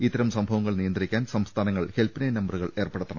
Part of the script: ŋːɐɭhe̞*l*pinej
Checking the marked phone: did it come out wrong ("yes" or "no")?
no